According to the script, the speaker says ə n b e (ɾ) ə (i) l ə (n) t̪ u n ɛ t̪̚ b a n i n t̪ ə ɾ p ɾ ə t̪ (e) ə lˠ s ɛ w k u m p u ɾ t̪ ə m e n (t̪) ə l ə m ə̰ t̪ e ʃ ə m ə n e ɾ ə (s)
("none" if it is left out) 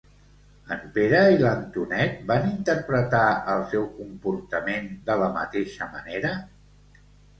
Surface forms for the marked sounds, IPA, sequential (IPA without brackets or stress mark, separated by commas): ɾ, i, n, a, d̪, none